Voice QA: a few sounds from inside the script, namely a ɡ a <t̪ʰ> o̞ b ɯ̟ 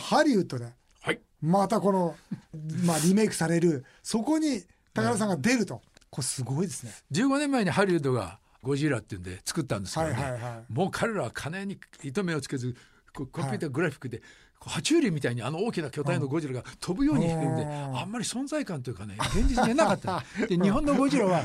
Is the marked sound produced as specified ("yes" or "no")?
yes